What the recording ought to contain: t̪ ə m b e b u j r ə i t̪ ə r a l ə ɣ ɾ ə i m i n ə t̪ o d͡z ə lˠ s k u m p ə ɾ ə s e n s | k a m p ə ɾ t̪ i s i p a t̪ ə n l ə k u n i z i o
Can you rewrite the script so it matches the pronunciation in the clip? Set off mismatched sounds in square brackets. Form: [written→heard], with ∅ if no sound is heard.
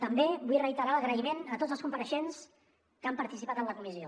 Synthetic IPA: t̪ ə m b e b u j r ə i t̪ ə [r→ɾ] a l ə ɣ ɾ ə i m [i→e] n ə t̪ o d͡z ə lˠ s k u m p ə ɾ ə [s→ʃ] e n s | k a m p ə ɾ t̪ i s i p a t̪ ə n l ə k u [n→m] i z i o

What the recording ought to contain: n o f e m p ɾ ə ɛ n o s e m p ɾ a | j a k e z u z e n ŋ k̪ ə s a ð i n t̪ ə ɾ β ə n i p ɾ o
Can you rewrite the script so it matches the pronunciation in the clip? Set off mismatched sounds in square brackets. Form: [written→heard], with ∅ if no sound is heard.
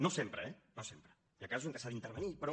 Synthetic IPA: n o [f→s] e m p ɾ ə ɛ n o s e m p ɾ [a→ə] | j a k [e→a] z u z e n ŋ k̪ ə s a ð i n t̪ ə ɾ β ə n i p ɾ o

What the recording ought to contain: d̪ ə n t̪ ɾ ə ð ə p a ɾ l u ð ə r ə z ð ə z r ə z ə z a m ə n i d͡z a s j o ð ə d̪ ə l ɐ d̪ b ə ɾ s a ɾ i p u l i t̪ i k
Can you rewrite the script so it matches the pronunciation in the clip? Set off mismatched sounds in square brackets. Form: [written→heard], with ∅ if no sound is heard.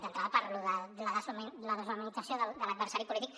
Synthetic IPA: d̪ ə n t̪ ɾ [ə→a] ð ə p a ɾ l u ð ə [r→l] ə [z→∅] ð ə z [r→l] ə [z→ð] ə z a m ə n i d͡z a s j o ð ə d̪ ə l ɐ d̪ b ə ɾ s a ɾ i p u l i t̪ i k

